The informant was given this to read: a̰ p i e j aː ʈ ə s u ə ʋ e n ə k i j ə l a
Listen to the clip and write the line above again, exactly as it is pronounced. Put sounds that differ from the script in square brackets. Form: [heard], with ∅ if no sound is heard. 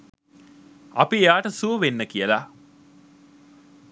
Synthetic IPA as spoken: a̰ p i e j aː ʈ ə s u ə ʋ e [nː] ə k i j ə l a